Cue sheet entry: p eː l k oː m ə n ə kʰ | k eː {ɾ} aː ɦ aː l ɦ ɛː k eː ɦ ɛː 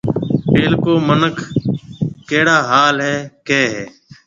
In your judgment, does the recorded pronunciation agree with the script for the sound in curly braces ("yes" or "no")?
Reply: no